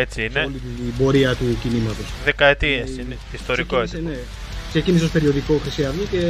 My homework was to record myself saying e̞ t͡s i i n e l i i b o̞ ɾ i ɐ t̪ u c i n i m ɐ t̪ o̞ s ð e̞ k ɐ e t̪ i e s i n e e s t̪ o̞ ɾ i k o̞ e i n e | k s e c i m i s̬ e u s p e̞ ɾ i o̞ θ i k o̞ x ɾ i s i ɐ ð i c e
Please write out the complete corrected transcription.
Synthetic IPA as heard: e̞ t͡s i i n e l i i b o̞ ɾ i ɐ t̪ u c i n i m ɐ t̪ o̞ s ð e̞ k ɐ e t̪ i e s i n e i s t̪ o̞ ɾ i k o̞ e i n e | k s e c i n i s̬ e o s p e̞ ɾ i o̞ ð i k o̞ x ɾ i s i ɐ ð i c e